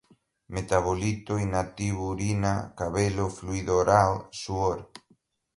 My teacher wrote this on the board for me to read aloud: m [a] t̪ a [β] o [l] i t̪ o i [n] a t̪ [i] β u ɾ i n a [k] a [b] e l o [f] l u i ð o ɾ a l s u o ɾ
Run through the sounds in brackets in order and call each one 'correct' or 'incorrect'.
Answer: incorrect, correct, correct, correct, correct, correct, incorrect, correct

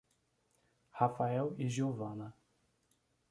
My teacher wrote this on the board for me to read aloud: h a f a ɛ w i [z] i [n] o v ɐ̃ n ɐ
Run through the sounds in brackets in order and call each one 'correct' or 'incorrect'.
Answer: incorrect, incorrect

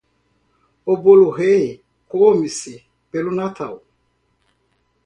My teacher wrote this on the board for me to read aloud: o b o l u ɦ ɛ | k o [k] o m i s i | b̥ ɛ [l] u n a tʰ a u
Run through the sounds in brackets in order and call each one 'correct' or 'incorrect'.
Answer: incorrect, correct

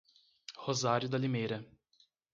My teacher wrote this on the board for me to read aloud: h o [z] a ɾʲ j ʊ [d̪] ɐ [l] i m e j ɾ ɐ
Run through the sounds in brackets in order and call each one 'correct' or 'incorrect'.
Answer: correct, correct, correct

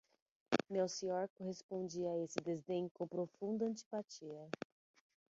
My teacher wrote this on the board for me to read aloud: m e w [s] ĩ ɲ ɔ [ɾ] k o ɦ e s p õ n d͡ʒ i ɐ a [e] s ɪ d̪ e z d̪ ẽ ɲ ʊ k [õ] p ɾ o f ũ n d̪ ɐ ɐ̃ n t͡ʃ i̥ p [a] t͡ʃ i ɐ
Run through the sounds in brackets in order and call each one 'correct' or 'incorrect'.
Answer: correct, correct, correct, correct, correct

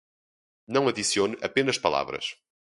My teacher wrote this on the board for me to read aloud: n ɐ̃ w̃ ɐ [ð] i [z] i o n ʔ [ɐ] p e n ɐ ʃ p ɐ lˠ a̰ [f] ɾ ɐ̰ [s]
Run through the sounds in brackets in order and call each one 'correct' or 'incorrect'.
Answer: correct, incorrect, correct, incorrect, incorrect

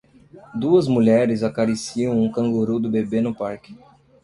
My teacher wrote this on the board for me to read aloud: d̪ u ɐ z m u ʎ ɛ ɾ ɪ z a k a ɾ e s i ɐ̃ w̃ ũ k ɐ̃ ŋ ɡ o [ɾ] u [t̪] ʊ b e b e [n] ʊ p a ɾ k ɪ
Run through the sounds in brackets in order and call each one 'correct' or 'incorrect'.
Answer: correct, incorrect, correct

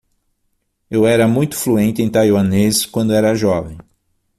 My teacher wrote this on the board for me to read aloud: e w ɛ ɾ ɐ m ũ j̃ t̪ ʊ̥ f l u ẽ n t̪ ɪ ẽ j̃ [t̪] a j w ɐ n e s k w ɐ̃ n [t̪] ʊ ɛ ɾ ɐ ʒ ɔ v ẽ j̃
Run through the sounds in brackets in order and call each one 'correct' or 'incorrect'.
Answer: correct, incorrect

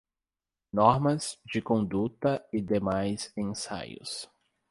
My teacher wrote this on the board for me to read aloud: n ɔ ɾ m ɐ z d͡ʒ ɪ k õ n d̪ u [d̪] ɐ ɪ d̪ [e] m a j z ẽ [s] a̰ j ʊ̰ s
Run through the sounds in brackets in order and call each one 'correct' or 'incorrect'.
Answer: incorrect, correct, correct

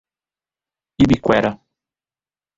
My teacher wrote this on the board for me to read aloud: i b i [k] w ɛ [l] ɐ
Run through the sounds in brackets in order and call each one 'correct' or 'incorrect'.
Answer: correct, incorrect

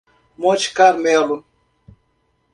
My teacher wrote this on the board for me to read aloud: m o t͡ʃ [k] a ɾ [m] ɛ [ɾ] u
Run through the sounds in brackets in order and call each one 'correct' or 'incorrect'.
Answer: correct, correct, incorrect

